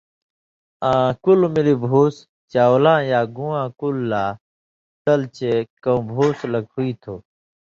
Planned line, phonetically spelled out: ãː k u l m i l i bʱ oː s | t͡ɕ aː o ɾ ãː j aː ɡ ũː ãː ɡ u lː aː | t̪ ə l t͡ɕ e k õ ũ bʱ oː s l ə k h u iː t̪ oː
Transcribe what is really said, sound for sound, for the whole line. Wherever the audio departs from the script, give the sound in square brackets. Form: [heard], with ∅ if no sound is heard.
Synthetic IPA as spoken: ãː k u l m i l i bʱ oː s | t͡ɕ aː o [l] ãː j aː ɡ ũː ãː [k] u lː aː | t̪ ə l t͡ɕ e k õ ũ bʱ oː s l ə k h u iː [t̪ʰ] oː